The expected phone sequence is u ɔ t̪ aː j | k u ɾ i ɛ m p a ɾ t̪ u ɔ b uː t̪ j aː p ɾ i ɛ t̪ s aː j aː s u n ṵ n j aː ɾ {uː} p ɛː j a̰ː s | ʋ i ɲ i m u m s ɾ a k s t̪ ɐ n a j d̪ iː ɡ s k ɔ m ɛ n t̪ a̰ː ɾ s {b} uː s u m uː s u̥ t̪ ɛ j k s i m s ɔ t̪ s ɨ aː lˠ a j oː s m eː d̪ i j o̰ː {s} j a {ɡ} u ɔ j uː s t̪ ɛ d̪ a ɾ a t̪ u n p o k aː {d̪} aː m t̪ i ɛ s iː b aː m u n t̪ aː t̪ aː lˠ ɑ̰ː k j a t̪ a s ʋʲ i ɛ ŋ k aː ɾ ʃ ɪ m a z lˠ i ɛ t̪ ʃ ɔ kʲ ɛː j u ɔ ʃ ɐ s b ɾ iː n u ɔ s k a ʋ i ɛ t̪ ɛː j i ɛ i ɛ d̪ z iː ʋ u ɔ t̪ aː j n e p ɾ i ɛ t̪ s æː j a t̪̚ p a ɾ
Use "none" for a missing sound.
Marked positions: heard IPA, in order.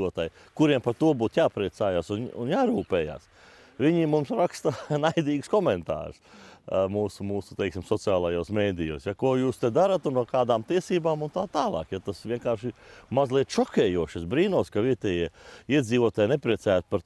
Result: uː, m, s, k, d̪

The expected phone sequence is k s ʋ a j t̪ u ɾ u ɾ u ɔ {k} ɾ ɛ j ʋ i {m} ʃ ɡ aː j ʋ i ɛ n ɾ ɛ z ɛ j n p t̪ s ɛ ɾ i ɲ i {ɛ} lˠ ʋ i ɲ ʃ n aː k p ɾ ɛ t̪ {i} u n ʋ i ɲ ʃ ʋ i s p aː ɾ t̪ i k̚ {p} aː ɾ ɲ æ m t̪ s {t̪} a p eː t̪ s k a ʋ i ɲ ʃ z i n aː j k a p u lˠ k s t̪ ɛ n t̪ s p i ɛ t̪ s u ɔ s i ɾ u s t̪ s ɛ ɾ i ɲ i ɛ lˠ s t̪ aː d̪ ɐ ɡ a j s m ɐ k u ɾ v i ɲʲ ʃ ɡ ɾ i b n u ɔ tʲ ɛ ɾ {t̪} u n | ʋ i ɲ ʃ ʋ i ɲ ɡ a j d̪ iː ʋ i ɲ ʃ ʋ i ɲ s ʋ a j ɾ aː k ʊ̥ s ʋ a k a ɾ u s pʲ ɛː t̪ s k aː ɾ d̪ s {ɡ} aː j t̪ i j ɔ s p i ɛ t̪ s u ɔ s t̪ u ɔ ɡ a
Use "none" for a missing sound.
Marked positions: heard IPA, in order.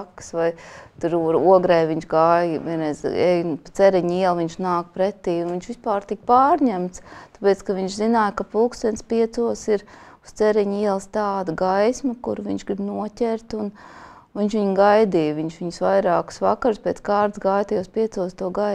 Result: ɡ, ɲ, ɛ, iː, p, t̪, t̪, ɡ

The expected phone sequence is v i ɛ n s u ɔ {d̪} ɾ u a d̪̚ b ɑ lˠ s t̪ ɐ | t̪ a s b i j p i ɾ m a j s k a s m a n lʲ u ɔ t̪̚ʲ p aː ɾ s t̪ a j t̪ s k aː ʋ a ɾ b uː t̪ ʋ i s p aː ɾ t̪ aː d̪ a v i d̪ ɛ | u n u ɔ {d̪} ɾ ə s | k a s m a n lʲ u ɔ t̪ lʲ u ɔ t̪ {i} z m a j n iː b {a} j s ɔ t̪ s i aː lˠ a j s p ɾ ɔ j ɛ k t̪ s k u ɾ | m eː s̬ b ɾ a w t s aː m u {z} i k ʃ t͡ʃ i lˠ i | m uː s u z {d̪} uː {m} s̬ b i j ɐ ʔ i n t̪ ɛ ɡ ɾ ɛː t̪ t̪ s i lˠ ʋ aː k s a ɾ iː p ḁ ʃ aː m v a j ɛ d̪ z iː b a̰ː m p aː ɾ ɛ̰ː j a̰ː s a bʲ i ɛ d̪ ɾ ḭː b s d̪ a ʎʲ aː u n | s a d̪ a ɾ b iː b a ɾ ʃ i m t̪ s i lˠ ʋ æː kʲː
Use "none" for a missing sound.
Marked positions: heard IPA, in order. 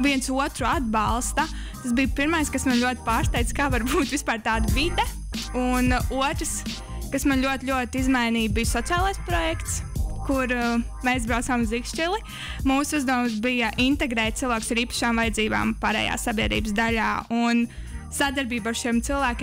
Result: t̪, t̪, i, i, z, d̪, m

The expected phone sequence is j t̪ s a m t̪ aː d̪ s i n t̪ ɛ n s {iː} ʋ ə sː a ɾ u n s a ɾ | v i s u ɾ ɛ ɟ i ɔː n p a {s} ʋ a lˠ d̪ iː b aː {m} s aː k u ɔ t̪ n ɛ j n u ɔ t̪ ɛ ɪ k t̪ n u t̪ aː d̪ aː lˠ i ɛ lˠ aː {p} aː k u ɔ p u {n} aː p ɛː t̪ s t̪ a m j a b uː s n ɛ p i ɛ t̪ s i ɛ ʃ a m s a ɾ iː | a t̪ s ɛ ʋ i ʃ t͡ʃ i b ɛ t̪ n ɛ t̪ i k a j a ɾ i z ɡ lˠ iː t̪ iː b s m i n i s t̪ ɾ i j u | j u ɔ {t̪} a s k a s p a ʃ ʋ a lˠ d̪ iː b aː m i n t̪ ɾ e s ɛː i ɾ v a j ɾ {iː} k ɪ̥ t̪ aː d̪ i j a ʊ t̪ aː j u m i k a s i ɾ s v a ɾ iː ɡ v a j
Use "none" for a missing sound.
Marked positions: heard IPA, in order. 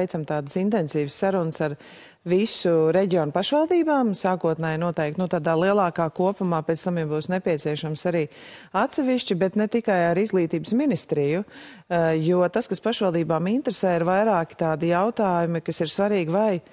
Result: iː, ʃ, m, k, m, t̪, aː

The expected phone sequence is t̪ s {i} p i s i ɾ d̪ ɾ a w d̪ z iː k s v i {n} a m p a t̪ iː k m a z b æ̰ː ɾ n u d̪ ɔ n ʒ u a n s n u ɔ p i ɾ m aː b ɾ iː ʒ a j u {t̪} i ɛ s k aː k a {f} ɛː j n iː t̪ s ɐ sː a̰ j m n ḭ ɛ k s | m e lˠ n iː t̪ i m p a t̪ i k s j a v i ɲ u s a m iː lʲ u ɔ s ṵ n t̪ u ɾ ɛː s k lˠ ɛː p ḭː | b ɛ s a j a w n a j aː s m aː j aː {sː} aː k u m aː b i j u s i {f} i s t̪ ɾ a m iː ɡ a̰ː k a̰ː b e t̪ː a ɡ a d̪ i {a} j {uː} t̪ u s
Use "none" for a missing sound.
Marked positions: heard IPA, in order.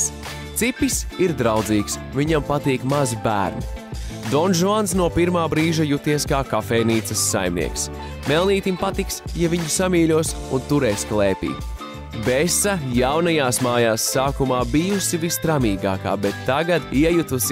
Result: i, ɲ, t̪, f, sː, v, ɛ, u

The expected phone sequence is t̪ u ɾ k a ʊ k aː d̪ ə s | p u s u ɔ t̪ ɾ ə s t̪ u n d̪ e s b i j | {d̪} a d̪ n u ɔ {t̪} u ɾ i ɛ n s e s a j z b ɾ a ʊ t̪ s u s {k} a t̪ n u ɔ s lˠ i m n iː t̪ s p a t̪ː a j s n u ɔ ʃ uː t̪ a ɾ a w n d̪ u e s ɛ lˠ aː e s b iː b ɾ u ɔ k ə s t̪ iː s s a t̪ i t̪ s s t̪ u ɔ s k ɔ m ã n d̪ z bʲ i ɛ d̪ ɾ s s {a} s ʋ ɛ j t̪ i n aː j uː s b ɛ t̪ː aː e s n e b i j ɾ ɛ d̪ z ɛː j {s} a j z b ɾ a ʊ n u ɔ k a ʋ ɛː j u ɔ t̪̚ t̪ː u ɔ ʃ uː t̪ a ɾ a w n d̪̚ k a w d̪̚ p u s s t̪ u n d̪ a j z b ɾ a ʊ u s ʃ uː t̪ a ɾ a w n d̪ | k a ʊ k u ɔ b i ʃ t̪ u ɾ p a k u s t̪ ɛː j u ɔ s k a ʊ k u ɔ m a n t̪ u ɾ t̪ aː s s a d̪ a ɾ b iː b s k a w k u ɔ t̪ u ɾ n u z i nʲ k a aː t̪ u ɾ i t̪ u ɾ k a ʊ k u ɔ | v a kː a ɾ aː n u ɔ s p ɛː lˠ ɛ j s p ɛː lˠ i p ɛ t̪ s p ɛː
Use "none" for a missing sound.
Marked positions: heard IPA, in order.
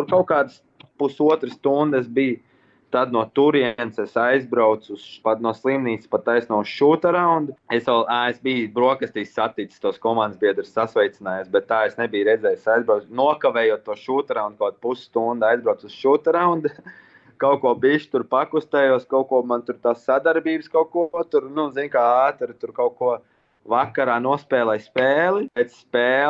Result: t̪, t̪, p, a, s

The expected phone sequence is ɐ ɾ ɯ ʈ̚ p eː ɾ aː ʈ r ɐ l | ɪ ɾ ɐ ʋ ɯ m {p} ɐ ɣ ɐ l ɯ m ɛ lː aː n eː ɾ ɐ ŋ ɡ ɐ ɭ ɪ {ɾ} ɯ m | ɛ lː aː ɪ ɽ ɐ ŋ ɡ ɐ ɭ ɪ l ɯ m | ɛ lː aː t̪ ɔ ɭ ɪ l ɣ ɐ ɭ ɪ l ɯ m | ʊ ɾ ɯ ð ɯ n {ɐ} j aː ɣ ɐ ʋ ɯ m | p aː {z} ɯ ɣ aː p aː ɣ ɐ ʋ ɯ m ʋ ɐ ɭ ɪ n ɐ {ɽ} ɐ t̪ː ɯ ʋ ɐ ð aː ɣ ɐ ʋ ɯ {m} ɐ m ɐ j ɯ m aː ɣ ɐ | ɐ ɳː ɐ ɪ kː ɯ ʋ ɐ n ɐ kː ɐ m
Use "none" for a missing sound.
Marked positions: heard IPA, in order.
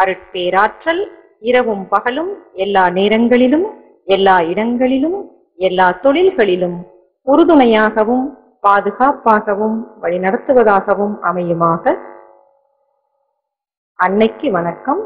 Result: p, l, ɐ, ð, ɽ, m

